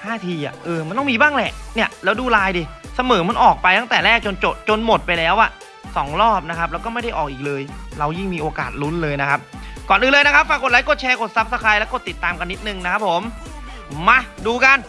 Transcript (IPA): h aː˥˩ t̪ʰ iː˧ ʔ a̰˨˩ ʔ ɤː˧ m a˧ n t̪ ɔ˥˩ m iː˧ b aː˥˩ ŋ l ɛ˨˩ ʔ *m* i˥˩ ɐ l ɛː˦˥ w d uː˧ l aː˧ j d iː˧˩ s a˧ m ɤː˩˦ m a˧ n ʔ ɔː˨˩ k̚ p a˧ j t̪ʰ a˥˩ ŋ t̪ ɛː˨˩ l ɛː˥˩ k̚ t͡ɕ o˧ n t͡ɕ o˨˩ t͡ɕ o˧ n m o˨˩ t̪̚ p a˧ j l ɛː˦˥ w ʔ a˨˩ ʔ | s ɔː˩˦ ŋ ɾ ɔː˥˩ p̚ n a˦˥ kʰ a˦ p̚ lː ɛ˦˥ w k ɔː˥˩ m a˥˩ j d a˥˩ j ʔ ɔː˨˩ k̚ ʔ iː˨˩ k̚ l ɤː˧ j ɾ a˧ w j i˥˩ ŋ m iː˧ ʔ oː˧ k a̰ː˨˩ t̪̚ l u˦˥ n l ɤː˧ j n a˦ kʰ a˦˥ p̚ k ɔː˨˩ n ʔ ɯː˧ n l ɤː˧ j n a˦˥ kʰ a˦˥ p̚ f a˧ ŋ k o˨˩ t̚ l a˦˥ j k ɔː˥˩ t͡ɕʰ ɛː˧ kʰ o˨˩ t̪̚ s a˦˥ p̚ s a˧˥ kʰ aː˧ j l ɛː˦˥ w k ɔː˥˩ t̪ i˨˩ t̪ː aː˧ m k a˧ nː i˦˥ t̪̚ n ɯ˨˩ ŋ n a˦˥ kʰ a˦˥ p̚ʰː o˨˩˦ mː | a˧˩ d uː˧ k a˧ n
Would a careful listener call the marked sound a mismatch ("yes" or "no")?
yes